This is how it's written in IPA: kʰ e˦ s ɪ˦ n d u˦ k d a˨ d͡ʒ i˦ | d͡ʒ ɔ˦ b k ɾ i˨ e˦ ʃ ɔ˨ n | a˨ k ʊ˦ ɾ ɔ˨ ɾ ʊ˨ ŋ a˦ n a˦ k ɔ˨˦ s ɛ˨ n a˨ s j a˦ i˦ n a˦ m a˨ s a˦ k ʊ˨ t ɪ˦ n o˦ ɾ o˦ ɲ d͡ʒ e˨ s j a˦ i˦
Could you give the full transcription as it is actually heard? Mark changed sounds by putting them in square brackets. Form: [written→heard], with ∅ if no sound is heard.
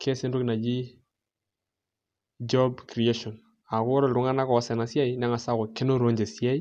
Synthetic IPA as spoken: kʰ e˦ s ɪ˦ n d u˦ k [d→n] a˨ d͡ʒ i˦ | d͡ʒ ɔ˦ b k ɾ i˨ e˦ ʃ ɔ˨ n | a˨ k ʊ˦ ɾ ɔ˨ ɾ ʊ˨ ŋ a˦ n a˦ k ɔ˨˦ s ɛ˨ n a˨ s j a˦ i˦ n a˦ [m→ŋ] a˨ s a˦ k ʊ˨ [t→k] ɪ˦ n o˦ ɾ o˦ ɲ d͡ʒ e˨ s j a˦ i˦